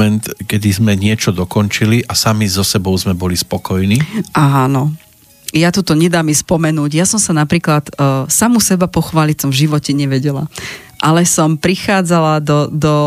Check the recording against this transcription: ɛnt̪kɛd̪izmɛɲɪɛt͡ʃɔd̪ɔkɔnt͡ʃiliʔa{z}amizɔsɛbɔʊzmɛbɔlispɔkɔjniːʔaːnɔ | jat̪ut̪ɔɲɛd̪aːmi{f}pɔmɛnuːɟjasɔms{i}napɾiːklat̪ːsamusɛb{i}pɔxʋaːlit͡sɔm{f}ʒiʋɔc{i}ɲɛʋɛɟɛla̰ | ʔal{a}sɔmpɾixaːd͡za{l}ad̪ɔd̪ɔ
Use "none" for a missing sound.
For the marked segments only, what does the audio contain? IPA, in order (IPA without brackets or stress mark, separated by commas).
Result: s, s, a, a, v, ɛ, ɛ, l